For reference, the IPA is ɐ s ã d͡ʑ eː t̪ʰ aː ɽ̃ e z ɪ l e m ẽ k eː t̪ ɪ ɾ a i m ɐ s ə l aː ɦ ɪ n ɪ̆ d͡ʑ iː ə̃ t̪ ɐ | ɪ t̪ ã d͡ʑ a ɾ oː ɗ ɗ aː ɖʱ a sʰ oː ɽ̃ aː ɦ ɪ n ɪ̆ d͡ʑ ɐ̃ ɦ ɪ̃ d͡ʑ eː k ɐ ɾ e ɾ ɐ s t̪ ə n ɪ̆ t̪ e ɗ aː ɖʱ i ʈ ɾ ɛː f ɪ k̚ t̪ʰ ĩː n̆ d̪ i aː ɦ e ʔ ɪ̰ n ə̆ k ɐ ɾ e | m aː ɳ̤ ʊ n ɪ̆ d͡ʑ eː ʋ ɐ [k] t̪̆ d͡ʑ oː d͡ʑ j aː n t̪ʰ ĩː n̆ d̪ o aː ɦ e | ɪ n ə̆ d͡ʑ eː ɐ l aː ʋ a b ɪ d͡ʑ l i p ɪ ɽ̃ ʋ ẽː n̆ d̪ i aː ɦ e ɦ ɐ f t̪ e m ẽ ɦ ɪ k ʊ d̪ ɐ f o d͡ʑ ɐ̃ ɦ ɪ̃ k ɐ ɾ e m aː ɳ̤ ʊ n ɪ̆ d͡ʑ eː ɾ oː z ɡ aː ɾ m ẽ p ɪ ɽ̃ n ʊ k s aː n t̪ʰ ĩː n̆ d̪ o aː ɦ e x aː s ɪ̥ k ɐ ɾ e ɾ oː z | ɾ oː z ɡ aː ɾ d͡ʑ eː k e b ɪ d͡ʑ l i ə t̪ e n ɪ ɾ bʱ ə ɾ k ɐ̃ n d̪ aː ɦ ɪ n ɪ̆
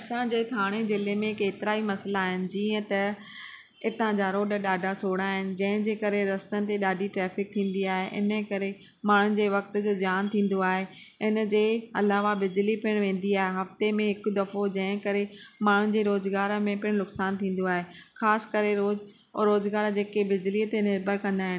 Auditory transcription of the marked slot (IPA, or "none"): k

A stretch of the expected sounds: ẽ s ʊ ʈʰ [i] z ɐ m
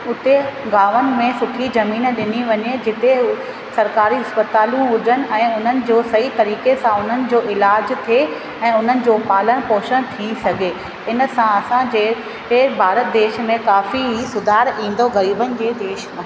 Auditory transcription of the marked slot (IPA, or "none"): i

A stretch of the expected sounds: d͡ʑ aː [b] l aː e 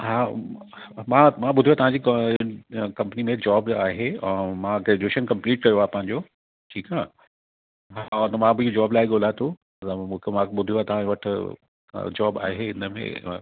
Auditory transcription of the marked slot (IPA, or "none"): b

